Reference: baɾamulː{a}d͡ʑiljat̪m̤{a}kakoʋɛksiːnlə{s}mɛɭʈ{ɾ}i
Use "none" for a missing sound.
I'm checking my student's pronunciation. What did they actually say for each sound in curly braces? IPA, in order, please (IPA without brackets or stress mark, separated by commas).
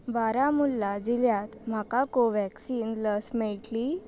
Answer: a, a, s, l